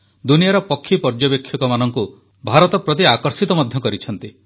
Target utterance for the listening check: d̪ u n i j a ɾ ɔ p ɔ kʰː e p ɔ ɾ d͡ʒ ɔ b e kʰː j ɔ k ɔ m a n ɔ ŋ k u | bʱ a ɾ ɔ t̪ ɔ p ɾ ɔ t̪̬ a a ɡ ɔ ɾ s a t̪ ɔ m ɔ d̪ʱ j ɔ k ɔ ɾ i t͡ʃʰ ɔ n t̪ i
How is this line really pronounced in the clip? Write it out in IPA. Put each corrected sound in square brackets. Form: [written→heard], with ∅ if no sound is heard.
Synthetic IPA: d̪ u n i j a ɾ ɔ p ɔ kʰː [e→i] p ɔ ɾ d͡ʒ ɔ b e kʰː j ɔ k ɔ m a n ɔ ŋ k u | bʱ a ɾ ɔ t̪ ɔ p ɾ ɔ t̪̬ [a→i] a [ɡ→k] ɔ ɾ s [a→i] t̪ ɔ m ɔ d̪ʱ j ɔ k ɔ ɾ i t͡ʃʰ ɔ n t̪ i